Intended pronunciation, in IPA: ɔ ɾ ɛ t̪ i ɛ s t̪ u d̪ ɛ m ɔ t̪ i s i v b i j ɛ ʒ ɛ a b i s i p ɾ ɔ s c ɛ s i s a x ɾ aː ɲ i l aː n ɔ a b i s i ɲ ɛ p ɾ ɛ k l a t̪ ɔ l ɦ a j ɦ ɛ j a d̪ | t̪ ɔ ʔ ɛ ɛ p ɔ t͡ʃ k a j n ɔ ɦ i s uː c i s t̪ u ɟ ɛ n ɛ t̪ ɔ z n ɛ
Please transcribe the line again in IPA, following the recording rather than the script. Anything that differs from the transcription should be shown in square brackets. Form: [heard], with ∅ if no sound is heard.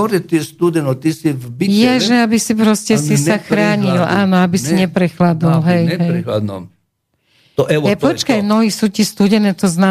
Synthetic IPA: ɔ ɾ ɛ t̪ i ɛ s t̪ u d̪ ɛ [n] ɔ t̪ i s i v b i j ɛ ʒ ɛ a b i s i p ɾ ɔ s c ɛ s i s a x ɾ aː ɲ i l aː n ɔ a b i s i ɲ ɛ p ɾ ɛ [x] l a [d̪] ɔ l ɦ [ɛ] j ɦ ɛ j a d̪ | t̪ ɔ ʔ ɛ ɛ p ɔ t͡ʃ k a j n ɔ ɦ i s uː c i s t̪ u ɟ ɛ n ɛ t̪ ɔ z n [a]